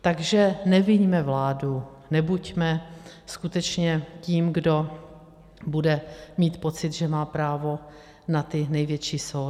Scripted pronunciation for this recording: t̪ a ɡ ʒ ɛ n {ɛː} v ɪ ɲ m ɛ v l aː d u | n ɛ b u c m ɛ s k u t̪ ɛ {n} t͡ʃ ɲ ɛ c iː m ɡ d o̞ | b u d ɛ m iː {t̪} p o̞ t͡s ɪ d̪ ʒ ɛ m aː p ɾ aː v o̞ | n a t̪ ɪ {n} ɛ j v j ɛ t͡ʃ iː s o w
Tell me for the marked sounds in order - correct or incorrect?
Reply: incorrect, incorrect, correct, correct

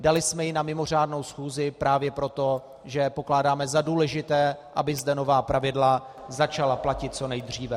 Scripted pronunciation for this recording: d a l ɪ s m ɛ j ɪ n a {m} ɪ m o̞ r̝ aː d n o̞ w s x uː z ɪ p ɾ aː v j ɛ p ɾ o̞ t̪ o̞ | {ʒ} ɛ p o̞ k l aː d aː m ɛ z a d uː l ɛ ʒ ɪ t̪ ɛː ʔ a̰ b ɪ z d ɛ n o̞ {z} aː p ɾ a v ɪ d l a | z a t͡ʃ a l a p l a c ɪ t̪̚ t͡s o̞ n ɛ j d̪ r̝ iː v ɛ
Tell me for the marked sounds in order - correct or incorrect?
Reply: correct, correct, incorrect

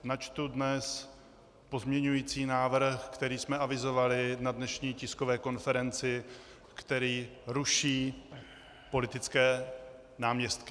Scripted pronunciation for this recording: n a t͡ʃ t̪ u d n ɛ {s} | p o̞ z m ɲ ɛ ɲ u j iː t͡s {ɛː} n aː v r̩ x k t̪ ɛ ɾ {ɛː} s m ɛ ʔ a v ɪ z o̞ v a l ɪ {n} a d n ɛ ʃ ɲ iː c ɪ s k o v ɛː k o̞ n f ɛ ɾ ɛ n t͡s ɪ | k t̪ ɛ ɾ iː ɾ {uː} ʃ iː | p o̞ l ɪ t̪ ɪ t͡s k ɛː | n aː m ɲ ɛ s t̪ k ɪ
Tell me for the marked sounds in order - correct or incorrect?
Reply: correct, incorrect, incorrect, correct, incorrect

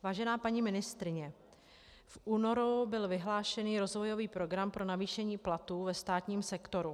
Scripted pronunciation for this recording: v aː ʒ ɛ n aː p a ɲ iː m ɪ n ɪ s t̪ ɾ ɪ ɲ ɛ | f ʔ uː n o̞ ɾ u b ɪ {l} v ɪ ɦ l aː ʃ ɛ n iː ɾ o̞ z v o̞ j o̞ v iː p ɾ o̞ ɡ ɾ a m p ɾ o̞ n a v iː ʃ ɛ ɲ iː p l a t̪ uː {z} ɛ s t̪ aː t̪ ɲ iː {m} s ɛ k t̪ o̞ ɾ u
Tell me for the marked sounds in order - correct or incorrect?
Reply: correct, incorrect, correct

